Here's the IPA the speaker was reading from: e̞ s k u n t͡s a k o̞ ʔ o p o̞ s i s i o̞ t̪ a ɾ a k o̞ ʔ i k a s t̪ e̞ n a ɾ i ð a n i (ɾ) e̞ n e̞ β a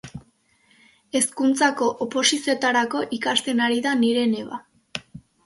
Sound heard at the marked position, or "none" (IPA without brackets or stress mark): ɾ